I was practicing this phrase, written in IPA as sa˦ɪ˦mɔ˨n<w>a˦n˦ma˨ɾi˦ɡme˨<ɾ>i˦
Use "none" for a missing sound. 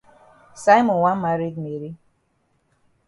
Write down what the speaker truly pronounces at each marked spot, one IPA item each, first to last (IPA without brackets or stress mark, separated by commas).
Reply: w, ɾ